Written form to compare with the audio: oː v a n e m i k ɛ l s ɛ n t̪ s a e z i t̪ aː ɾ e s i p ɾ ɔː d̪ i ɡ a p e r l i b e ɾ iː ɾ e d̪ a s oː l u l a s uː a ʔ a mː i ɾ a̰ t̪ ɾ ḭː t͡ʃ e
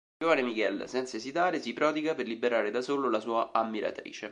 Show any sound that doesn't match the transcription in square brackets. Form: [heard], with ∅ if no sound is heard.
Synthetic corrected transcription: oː v a n e m i k ɛ l s ɛ n t̪ s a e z i t̪ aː ɾ e s i p ɾ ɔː d̪ i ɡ a p e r l i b e ɾ [aː] ɾ e d̪ a s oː l [o] l a s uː a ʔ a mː i ɾ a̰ t̪ ɾ ḭː t͡ʃ e

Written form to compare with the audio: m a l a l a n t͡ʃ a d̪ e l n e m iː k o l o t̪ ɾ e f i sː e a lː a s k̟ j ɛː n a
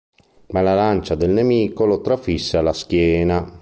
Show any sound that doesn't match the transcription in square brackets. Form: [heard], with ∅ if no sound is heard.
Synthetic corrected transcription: m a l a l a n t͡ʃ a d̪ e l n e m iː k o l o t̪ ɾ [a] f i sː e a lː a s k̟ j ɛː n a

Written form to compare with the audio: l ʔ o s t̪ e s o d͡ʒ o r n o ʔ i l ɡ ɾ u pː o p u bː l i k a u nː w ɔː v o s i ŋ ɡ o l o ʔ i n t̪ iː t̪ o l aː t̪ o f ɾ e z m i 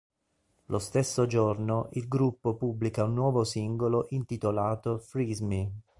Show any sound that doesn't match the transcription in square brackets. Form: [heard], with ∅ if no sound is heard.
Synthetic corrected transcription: l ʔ o s t̪ e [sː] o d͡ʒ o r n o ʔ i l ɡ ɾ u pː o p u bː l i k a u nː w ɔː v o s i ŋ ɡ o l o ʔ i n t̪ [i] t̪ o l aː t̪ o f ɾ [i] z m i

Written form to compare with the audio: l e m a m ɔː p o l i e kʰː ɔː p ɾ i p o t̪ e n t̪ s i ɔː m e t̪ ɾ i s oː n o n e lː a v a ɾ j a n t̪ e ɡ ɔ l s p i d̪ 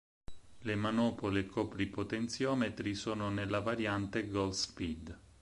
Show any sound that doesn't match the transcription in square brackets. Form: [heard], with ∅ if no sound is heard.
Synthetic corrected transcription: l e m a [n] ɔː p o l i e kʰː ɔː p ɾ i p o t̪ e n t̪ s [j] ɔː m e t̪ ɾ i s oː n o n e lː a v a ɾ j a n t̪ e ɡ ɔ l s p i d̪

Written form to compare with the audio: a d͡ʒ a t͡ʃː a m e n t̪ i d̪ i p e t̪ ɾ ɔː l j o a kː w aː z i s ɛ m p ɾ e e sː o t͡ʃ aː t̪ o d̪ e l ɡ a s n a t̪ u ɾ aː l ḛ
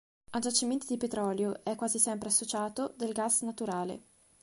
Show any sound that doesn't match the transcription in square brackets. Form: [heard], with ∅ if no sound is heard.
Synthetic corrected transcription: a d͡ʒ a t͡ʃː [i] m e n t̪ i d̪ i p e t̪ ɾ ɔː l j o [ɛ] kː w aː z i s ɛ m p ɾ e [a] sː o t͡ʃ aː t̪ o d̪ e l ɡ a s n a t̪ u ɾ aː l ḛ

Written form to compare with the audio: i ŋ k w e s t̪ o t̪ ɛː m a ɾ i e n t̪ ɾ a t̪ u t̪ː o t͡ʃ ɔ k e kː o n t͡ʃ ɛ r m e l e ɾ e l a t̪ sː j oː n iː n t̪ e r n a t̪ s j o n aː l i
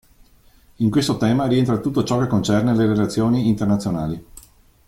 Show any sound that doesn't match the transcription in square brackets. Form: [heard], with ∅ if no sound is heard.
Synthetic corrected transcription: i ŋ k w e s t̪ o t̪ ɛː m a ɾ i e n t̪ ɾ a t̪ u t̪ː o t͡ʃ ɔ k e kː o n t͡ʃ ɛ r [n] e l e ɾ e l a t̪ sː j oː n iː n t̪ e r n a t̪ s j o n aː l i

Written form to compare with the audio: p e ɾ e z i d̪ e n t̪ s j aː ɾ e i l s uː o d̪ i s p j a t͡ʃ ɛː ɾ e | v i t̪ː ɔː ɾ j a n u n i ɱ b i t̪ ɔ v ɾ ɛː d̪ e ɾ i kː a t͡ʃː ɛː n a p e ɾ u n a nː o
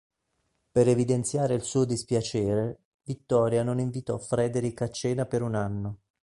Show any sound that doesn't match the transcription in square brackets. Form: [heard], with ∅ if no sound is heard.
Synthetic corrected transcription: p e ɾ e [v] i d̪ e n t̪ s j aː ɾ e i l s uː o d̪ i s p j a t͡ʃ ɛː ɾ e | v i t̪ː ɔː ɾ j a n [o] n i ɱ [v] i t̪ ɔ [f] ɾ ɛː d̪ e ɾ i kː a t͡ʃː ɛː n a p e ɾ u n a nː o

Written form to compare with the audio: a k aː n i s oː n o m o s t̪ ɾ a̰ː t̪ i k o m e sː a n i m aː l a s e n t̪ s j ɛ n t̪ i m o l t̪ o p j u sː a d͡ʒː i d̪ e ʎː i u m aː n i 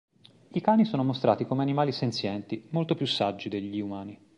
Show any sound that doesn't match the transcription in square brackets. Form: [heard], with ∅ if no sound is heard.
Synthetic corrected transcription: [i] k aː n i s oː n o m o s t̪ ɾ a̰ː t̪ i k o m e [∅] a n i m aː l [i] s e n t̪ s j ɛ n t̪ i m o l t̪ o p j u sː a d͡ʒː i d̪ e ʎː i u m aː n i

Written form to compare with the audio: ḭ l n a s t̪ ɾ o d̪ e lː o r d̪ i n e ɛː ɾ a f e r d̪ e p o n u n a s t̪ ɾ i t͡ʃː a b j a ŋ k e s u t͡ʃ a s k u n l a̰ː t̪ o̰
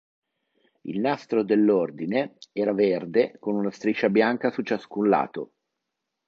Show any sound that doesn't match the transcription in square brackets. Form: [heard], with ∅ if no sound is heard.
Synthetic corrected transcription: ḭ l n a s t̪ ɾ o d̪ e lː o r d̪ i n e ɛː ɾ a [v] e r d̪ e [k] o n u n a s t̪ ɾ i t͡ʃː a b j a ŋ k [a] s u t͡ʃ a s k u n l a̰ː t̪ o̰

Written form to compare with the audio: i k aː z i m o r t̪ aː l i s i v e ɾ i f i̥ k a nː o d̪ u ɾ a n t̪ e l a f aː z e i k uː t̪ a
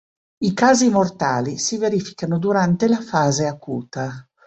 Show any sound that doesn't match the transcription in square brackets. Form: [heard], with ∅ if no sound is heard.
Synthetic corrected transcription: i k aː z i m o r t̪ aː l i s i v e ɾ i f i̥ k a [n] o d̪ u ɾ a n t̪ e l a f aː z e [a] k uː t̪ a

